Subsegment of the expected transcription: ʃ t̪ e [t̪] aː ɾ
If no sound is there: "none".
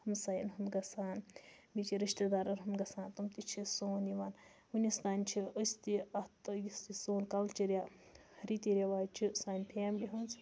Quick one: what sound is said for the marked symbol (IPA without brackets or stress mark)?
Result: d̪